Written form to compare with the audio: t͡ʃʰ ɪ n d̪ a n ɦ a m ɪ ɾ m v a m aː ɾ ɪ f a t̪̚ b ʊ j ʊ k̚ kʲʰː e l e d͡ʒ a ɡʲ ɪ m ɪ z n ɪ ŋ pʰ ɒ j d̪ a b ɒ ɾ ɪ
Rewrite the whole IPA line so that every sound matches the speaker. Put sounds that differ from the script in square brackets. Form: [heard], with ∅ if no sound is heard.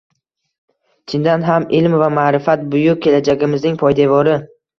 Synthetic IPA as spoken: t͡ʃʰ ɪ n d̪ a n ɦ a m ɪ [l] m v a m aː ɾ ɪ f a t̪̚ b ʊ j ʊ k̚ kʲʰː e l [a] d͡ʒ a ɡʲ ɪ m ɪ z n ɪ ŋ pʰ ɒ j d̪ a [v] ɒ ɾ ɪ

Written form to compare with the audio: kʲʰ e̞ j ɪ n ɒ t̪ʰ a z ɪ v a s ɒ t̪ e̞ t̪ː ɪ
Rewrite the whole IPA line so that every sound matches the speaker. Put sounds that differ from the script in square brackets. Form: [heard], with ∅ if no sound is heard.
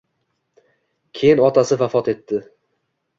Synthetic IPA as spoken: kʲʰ e̞ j ɪ n ɒ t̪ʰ a [s] ɪ v a [f] ɒ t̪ e̞ t̪ː ɪ

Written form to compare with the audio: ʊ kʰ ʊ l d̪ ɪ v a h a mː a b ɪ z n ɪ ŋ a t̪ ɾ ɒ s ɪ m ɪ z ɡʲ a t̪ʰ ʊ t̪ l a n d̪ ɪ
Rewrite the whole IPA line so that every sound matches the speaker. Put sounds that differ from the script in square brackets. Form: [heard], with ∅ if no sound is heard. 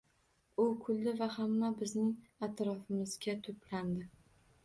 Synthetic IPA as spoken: ʊ kʰ ʊ l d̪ ɪ v a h a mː a b ɪ z n ɪ ŋ a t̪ ɾ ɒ [f] ɪ m ɪ z ɡʲ a t̪ʰ ʊ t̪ l a n d̪ ɪ

